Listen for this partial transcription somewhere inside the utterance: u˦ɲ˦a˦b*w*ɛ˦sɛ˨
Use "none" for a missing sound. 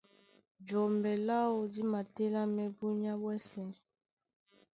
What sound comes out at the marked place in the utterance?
w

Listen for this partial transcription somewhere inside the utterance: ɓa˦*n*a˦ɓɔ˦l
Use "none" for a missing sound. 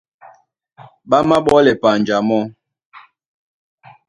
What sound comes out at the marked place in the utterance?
m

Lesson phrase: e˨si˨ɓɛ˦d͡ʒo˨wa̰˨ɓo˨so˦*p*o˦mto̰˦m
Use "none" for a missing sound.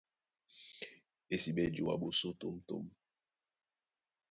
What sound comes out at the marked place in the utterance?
t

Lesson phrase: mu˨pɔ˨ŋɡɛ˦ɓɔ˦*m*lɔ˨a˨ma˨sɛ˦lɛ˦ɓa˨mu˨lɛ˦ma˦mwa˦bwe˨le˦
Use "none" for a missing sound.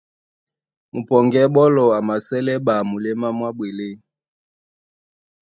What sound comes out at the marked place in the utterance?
none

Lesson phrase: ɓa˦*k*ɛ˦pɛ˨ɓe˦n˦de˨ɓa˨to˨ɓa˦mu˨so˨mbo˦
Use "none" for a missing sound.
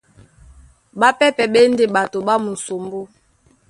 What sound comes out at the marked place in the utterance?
p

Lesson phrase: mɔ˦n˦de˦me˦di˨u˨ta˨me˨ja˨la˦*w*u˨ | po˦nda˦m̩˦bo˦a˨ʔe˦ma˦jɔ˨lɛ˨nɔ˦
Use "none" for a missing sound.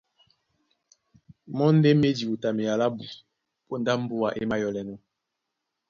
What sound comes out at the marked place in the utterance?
b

